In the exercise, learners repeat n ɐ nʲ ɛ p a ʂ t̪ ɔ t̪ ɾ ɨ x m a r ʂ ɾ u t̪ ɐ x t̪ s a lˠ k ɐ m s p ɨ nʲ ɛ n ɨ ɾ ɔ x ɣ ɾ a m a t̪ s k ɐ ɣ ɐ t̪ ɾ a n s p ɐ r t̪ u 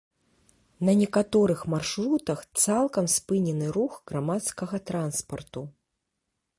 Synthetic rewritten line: n ɐ nʲ ɛ k a t̪ ɔ ɾ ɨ x m a r ʂ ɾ u t̪ ɐ x t̪ s a lˠ k ɐ m s p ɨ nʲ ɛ n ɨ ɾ u x ɣ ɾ a m a t̪ s k ɐ ɣ ɐ t̪ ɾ a n s p ɐ r t̪ u